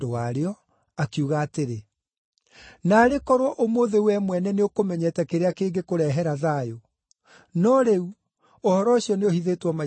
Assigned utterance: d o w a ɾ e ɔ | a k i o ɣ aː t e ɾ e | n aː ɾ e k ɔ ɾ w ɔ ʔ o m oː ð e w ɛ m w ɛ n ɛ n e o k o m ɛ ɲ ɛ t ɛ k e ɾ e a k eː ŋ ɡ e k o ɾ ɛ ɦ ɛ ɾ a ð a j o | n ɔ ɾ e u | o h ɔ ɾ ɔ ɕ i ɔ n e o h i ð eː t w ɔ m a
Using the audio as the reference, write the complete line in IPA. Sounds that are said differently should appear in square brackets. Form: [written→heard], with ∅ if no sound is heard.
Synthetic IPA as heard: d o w a ɾ e ɔ | a k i [o→u] ɣ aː t e ɾ e | n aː ɾ e k ɔ ɾ w ɔ ʔ o m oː ð e w ɛ m w ɛ n ɛ n e o k o m ɛ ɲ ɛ t ɛ k e ɾ e a k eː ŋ ɡ e k o ɾ ɛ ɦ ɛ ɾ a ð a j o | n ɔ ɾ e u | o h ɔ ɾ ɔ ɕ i ɔ n e o h i ð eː t w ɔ m a